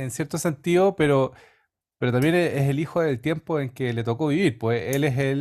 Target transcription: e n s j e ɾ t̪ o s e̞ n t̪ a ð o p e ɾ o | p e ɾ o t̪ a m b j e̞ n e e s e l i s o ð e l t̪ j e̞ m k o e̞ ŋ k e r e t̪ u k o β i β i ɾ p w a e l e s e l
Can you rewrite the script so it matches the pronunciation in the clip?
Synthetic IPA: e n s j e ɾ t̪ o s e̞ n t̪ i ð o p e ɾ o | p e ɾ o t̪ a m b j e̞ n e e s e l i x o ð e l t̪ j e̞ m p o e̞ ŋ k e l e t̪ o k o β i β i ɾ p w e e l e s e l